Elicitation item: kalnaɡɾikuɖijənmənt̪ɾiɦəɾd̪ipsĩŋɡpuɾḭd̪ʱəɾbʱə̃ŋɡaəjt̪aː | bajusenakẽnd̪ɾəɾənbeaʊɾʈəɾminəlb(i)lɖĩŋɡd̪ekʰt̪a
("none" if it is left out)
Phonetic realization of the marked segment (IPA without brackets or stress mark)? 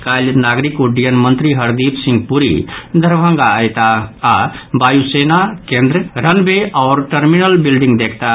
i